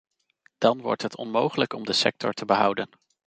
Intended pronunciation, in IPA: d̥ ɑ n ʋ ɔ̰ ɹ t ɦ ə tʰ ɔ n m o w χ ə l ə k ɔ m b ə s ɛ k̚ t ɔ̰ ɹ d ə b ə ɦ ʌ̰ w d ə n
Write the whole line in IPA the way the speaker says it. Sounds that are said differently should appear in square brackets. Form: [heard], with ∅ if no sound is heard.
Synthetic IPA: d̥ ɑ n ʋ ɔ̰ ɹ t ɦ ə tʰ ɔ n m o w χ ə l ə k ɔ m [d] ə s ɛ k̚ t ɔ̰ ɹ [t] ə b ə ɦ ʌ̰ w d ə n